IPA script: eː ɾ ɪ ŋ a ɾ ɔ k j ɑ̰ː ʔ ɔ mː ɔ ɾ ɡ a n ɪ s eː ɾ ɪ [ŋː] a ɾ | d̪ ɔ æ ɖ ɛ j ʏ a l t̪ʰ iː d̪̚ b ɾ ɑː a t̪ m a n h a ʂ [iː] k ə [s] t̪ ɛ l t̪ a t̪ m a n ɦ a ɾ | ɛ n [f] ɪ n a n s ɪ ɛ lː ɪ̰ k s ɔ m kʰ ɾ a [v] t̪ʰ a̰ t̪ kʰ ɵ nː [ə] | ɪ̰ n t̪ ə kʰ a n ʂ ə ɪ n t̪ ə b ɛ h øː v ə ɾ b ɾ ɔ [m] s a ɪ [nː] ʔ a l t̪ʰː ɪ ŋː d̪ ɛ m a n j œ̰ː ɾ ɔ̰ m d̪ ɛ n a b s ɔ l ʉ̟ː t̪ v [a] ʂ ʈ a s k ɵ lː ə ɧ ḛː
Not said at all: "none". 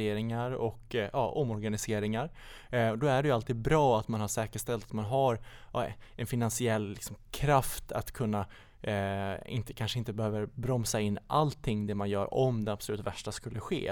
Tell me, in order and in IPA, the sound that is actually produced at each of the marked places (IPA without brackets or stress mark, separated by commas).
ŋ, ɛː, ʂ, f, f, a, m, nː, æ